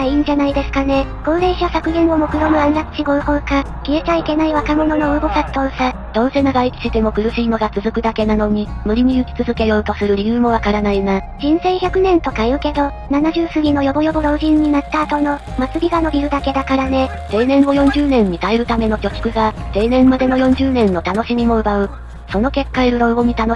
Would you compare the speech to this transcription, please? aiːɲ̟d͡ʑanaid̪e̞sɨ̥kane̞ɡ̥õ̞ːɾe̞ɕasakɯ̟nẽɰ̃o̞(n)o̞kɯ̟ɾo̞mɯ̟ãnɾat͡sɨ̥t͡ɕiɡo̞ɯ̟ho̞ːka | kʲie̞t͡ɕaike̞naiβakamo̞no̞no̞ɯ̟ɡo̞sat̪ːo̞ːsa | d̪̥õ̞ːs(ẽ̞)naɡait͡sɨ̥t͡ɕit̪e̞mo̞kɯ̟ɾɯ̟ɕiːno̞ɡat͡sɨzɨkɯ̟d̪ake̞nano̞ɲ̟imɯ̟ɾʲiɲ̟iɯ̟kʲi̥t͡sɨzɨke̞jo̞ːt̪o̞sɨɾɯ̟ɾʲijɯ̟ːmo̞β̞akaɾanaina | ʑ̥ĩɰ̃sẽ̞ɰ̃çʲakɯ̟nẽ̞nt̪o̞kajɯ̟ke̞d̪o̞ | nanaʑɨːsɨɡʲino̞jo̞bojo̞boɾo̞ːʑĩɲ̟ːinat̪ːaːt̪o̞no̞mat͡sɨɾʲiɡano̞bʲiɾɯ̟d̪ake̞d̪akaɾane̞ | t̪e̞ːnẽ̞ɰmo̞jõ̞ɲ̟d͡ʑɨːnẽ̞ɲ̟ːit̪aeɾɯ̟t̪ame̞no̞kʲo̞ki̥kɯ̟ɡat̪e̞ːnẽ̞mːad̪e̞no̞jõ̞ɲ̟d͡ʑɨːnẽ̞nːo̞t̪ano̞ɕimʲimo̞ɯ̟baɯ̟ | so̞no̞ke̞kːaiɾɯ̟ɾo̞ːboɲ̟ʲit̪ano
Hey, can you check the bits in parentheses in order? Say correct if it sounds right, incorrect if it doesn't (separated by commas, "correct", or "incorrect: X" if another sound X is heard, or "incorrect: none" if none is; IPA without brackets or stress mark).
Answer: incorrect: m, incorrect: e̞